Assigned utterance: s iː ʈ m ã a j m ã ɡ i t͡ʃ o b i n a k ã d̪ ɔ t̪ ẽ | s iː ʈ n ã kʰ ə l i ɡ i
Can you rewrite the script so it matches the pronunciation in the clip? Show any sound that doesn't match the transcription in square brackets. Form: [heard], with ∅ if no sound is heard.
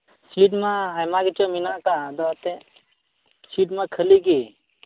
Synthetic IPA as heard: s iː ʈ m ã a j m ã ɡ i t͡ʃ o [m] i n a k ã d̪ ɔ t̪ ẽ | s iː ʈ [m] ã kʰ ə l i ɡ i